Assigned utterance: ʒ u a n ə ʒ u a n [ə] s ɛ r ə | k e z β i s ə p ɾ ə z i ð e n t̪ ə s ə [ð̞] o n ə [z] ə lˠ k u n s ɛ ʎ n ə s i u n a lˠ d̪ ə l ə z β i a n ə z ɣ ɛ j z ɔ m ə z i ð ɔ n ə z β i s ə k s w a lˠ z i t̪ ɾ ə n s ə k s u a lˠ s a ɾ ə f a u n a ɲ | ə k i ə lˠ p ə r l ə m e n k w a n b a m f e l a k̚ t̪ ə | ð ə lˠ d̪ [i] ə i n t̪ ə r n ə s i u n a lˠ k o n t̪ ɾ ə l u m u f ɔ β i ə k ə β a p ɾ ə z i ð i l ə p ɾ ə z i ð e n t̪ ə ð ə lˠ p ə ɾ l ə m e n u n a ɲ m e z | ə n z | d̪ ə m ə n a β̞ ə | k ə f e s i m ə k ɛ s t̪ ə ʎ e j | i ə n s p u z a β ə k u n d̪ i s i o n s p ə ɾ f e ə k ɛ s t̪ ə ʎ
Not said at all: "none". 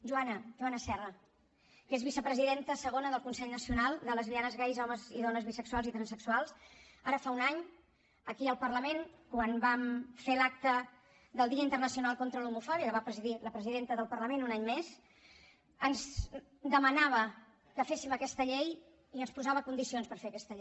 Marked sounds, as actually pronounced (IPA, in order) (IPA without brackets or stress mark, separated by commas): ə, ɣ̞, ð, i